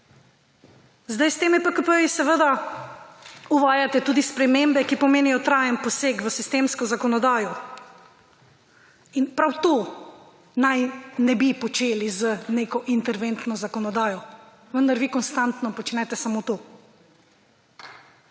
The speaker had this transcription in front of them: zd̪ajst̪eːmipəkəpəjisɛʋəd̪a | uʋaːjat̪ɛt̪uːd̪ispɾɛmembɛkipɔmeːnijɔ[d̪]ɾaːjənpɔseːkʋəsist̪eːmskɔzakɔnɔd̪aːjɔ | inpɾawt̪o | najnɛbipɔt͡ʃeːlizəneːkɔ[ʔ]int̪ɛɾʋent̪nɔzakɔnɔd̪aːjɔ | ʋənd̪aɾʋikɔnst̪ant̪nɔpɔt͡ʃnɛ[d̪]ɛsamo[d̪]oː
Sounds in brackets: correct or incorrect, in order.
incorrect: t̪, correct, incorrect: t̪, incorrect: t̪

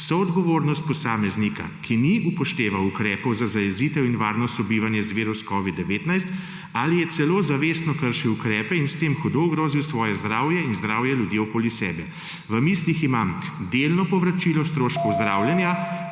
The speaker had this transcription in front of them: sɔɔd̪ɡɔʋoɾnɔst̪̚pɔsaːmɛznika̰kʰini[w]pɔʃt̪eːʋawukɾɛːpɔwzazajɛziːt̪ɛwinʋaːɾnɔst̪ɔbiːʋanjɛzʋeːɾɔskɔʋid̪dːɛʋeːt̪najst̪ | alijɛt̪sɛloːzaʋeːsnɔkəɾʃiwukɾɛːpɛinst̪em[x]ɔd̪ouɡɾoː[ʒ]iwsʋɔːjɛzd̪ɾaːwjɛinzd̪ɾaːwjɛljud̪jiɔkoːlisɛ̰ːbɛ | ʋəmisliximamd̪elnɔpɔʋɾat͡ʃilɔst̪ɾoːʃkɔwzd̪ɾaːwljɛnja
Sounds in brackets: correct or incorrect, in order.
incorrect: u, correct, incorrect: z

